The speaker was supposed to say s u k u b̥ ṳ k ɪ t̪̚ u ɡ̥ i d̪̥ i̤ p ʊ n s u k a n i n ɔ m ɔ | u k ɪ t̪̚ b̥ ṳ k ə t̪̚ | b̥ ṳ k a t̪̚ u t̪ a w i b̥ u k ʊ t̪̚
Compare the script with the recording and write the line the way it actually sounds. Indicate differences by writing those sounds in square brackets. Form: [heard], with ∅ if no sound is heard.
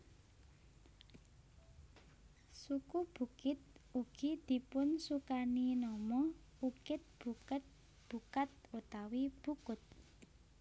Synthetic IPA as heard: s u k u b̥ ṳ k ɪ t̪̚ u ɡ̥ i d̪̥ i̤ p ʊ n s u k a n i n ɔ m ɔ | u k ɪ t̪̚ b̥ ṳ k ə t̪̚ | b̥ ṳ k a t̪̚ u t̪ a w i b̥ u k ʊ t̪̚